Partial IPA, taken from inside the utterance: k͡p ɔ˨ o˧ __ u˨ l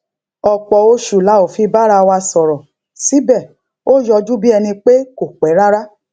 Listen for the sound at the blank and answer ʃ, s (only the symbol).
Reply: ʃ